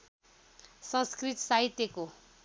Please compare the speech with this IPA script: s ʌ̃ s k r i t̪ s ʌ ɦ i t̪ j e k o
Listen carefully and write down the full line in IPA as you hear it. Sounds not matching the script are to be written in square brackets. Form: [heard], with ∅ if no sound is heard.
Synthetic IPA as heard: s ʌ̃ s k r i t̪ s [a] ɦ i t̪ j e k o